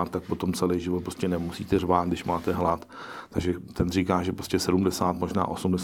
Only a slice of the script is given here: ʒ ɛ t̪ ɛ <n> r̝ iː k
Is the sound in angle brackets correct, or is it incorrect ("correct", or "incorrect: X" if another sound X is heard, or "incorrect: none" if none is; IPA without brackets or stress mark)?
correct